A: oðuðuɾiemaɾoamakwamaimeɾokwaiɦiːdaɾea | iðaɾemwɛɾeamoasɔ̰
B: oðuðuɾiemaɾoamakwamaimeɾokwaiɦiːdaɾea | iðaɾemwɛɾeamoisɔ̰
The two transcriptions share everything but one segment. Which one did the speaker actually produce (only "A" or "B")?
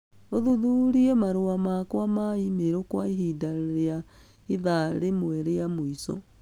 B